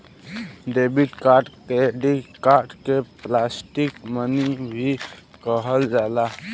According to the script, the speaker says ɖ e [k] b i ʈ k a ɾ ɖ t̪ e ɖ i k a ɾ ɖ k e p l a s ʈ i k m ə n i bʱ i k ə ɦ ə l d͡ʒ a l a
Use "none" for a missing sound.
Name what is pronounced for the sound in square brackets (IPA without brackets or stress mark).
none